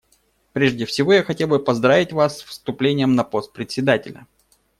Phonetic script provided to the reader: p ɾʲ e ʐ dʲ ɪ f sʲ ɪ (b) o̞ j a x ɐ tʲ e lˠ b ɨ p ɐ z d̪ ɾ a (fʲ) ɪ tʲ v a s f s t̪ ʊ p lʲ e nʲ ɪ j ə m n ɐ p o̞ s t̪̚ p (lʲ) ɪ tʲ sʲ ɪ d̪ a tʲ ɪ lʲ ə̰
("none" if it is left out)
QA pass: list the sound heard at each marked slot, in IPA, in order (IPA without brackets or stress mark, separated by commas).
v, vʲ, ɾʲ